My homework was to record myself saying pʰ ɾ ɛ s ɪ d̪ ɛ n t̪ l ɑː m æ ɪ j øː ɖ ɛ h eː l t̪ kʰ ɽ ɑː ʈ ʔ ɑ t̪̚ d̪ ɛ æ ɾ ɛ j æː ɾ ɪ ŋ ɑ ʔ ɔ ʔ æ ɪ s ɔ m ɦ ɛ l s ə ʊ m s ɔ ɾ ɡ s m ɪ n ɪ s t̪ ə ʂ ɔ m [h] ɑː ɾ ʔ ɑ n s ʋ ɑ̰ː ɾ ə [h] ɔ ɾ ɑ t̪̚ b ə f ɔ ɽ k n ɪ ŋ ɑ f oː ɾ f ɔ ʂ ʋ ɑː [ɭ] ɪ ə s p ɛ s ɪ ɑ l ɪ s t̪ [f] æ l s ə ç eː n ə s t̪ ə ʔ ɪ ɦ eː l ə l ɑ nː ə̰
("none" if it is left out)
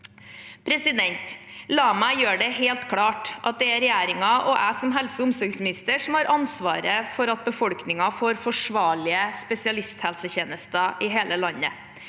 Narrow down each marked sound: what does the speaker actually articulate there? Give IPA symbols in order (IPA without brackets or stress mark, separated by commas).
h, f, ɭ, h